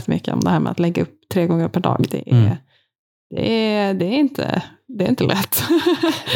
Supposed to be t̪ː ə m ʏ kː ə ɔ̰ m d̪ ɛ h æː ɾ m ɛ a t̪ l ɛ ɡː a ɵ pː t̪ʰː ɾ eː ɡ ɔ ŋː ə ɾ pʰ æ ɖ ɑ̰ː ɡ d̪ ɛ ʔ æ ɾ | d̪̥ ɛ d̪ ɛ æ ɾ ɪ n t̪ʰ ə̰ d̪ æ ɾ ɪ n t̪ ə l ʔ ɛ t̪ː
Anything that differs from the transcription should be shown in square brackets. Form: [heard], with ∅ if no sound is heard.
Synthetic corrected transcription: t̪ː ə m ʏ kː ə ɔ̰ m d̪ ɛ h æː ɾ m ɛ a t̪ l ɛ ɡː a ɵ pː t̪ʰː ɾ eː ɡ ɔ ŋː ə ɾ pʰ æ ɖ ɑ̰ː ɡ d̪ ɛ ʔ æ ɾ | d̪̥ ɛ d̪ ɛ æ ɾ ɪ n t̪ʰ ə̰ d̪ [ɛ] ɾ ɪ n t̪ ə l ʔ ɛ t̪ː